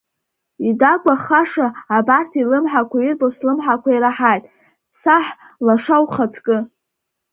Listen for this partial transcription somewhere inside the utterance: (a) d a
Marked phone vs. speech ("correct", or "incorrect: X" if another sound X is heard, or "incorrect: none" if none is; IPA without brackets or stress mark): incorrect: i